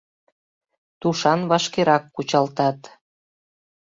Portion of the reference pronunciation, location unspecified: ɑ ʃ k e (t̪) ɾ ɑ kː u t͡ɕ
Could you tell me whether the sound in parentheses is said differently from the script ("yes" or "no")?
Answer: yes